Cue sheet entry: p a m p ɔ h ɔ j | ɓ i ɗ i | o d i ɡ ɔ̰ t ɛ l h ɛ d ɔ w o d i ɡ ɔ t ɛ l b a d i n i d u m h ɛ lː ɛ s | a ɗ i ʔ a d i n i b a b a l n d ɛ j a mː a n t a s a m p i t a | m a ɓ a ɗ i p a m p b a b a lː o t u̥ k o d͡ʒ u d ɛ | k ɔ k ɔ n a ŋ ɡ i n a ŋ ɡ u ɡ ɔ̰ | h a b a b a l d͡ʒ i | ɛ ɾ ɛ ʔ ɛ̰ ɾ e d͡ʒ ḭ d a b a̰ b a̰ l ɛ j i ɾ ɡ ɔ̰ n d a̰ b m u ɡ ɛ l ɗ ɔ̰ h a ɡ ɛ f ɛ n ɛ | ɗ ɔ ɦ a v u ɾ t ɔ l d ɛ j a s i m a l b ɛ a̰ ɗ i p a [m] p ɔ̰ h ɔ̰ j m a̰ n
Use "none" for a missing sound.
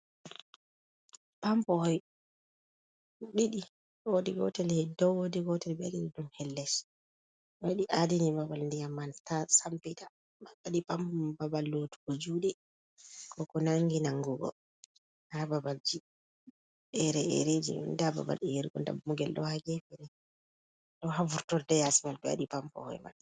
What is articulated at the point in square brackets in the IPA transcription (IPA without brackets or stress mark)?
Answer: m